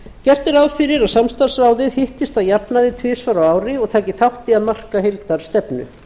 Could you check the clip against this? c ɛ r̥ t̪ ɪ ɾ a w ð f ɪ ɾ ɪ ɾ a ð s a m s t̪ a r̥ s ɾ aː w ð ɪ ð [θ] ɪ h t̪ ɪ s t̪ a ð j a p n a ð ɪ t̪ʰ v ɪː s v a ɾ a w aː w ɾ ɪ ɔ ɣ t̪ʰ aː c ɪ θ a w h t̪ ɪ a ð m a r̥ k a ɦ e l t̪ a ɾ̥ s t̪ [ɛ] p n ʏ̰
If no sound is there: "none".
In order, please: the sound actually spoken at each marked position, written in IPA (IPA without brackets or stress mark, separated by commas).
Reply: h, ɛ